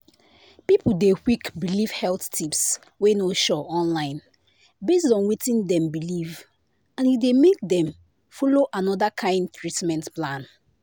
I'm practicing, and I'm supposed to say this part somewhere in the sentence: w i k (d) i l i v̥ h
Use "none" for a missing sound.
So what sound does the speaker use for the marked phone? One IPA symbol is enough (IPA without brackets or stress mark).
b